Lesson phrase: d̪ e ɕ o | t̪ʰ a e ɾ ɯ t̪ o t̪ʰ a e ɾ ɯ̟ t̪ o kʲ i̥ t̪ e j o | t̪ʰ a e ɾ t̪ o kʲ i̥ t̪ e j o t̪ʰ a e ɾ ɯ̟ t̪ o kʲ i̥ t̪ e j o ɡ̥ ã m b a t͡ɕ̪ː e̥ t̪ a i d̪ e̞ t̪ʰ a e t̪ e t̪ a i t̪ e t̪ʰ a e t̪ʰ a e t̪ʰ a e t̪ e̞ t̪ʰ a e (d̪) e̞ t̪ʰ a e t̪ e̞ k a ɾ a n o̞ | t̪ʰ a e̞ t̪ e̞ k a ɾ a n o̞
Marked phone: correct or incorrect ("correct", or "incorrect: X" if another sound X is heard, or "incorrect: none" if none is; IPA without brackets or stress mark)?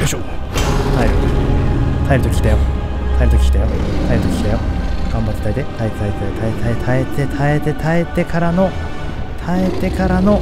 incorrect: t̪